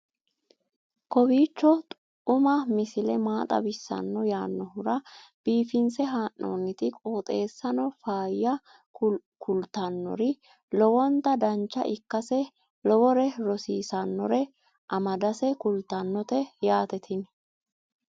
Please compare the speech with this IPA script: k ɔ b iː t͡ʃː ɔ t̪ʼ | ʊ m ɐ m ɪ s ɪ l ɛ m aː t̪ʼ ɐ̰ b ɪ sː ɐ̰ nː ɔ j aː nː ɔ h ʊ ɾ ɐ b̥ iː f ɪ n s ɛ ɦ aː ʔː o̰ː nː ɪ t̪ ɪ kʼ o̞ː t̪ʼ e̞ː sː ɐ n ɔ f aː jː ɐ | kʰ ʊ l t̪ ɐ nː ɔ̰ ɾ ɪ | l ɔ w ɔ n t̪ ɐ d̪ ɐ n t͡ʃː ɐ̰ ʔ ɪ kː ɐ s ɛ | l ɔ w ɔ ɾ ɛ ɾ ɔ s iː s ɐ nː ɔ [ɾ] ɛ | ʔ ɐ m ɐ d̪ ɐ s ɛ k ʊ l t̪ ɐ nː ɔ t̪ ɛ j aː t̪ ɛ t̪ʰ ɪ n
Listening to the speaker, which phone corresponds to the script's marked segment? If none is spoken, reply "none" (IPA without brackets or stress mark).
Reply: ɾ